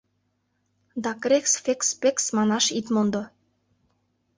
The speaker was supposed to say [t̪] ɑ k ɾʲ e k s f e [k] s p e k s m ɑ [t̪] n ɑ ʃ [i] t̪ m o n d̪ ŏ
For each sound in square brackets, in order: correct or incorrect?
incorrect: d̪, correct, incorrect: none, correct

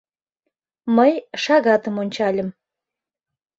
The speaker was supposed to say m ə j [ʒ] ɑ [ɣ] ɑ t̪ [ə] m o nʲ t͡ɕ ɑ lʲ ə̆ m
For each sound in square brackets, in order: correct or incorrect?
incorrect: ʃ, correct, correct

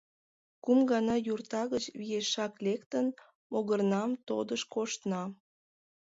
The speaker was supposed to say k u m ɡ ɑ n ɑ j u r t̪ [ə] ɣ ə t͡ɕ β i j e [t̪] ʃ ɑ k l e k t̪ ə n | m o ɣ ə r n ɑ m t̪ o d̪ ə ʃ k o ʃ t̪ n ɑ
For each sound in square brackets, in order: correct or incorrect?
incorrect: ɑ, incorrect: none

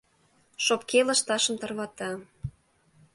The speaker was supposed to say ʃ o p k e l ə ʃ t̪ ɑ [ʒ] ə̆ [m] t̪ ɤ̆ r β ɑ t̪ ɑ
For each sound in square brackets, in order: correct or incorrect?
incorrect: ʃ, correct

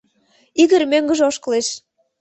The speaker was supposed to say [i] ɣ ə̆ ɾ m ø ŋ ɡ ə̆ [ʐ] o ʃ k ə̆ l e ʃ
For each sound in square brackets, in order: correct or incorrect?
correct, incorrect: ʒ

